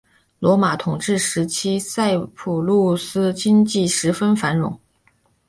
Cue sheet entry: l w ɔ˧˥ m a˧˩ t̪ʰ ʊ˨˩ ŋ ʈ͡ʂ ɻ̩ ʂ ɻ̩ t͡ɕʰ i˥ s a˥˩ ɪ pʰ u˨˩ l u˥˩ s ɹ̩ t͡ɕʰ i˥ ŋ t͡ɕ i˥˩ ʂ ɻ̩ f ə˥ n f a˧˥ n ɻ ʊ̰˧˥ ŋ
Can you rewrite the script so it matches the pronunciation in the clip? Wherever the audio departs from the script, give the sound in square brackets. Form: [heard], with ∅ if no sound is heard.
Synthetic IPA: l w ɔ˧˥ m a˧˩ t̪ʰ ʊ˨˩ ŋ ʈ͡ʂ ɻ̩ ʂ ɻ̩ t͡ɕʰ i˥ s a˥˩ ɪ pʰ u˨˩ l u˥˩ s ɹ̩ [t͡ɕ] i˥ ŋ t͡ɕ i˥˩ ʂ ɻ̩ f ə˥ n f a˧˥ n ɻ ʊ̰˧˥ ŋ